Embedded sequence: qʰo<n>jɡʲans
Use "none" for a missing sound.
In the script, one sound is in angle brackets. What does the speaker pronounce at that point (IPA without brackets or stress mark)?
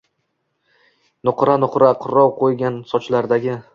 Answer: none